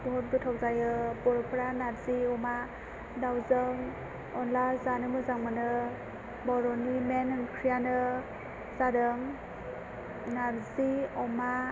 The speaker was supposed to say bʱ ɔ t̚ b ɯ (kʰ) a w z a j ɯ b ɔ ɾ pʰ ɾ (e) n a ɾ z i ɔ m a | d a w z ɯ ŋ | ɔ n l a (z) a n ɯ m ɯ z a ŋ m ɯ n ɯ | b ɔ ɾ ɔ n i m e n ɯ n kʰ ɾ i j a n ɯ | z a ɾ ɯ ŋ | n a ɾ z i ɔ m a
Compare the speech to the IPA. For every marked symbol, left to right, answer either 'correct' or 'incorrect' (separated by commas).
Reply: incorrect, incorrect, correct